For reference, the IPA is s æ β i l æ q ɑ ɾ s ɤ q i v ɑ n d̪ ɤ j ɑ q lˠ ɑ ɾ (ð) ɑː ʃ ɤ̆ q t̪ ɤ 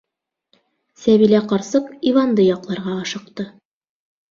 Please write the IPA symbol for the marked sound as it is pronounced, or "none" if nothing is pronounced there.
ʁ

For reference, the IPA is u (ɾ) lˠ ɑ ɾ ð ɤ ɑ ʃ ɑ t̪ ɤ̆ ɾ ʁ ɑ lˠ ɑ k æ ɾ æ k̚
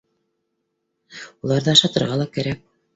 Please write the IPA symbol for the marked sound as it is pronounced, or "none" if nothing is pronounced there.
none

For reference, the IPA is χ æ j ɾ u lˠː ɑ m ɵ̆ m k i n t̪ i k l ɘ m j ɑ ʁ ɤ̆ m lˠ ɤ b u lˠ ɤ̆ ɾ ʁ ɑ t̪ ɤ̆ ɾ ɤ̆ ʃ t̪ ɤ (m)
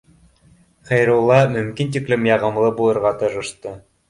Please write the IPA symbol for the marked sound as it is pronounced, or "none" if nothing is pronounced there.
none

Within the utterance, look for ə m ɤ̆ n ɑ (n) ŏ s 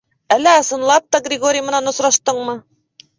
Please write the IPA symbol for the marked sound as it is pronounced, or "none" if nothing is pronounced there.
n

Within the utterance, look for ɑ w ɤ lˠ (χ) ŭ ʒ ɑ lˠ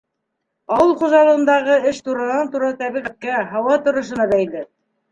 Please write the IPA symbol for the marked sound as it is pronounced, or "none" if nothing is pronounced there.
χ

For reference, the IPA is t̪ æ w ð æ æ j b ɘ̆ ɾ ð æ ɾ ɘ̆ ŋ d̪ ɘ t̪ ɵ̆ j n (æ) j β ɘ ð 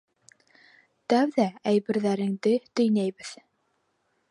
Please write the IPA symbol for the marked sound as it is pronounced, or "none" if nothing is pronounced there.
æ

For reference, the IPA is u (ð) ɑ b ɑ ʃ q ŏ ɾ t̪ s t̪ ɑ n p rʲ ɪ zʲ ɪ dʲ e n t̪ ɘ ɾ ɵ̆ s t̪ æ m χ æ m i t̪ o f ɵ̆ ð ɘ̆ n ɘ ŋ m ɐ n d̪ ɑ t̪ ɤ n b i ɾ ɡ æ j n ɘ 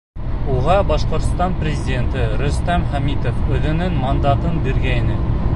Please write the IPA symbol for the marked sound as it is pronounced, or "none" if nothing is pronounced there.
ʁ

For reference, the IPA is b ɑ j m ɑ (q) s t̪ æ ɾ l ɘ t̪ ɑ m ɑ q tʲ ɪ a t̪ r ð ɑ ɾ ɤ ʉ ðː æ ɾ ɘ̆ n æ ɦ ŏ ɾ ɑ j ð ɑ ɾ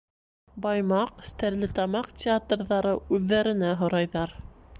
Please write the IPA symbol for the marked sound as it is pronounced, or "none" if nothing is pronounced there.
q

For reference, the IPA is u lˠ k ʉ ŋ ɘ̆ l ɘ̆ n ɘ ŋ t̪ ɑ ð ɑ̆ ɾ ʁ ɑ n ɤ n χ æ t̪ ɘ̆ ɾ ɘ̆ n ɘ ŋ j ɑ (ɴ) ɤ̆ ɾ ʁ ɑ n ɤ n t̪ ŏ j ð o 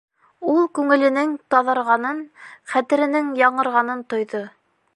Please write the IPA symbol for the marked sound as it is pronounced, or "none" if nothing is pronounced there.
ɴ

